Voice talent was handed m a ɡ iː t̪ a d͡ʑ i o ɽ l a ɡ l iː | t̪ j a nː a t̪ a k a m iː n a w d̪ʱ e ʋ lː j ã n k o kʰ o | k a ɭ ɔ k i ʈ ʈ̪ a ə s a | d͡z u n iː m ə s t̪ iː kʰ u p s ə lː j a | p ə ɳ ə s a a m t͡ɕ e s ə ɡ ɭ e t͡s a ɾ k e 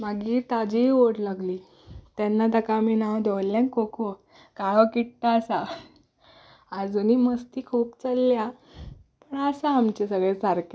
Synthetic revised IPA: m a ɡ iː t̪ a d͡ʑ i o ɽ l a ɡ l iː | t̪ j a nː a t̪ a k a m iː n a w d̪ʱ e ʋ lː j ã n k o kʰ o | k a ɭ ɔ k i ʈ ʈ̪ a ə s a | d͡z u n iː m ə s t̪ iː kʰ uː p t͡s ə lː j a | p ə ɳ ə s a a m t͡ɕ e s ə ɡ ɭ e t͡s a ɾ k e